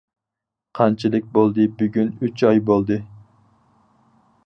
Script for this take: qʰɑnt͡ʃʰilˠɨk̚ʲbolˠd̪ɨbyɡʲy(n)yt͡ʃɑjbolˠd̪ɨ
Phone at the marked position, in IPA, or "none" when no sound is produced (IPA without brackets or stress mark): n